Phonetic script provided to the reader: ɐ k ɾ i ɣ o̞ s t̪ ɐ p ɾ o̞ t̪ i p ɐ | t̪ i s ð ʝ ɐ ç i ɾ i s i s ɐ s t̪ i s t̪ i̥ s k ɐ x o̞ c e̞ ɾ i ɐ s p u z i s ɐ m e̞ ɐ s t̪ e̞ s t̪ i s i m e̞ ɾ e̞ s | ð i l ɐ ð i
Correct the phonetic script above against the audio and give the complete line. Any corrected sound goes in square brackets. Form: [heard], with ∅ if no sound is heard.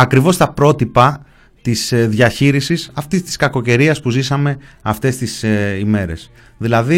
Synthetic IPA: ɐ k ɾ i [v] o̞ s t̪ ɐ p ɾ o̞ t̪ i p ɐ | t̪ i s ð ʝ ɐ ç i ɾ i s i s ɐ [f] t̪ i s t̪ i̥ s k ɐ [k] o̞ c e̞ ɾ i ɐ s p u z i s ɐ m e̞ ɐ [f] t̪ e̞ s t̪ i s i m e̞ ɾ e̞ s | ð i l ɐ ð i